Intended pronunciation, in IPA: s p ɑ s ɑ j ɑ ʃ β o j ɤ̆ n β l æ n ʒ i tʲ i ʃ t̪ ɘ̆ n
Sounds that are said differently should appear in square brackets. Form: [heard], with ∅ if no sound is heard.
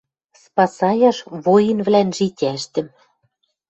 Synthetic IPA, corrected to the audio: s p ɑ s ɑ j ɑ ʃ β o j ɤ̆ n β l æ n ʒ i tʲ [æ] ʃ t̪ ɘ̆ [m]